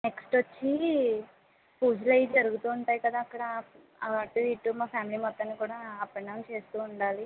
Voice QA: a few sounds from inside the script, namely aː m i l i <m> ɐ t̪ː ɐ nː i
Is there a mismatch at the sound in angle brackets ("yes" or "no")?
no